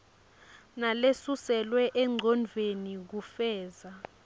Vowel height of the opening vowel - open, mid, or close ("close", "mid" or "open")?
open